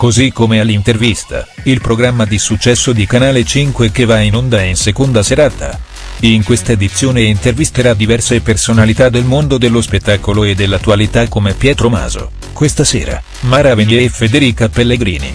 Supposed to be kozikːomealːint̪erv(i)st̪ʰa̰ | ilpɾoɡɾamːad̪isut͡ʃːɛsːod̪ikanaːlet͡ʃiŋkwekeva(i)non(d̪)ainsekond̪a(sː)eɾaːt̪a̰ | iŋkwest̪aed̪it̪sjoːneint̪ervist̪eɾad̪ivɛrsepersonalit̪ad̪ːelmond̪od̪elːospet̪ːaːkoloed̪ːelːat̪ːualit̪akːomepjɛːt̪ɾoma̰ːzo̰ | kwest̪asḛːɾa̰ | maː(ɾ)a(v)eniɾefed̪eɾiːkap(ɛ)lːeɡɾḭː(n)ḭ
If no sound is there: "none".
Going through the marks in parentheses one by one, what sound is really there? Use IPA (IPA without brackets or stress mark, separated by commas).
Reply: i, i, d̪, s, ɾ, v, e, n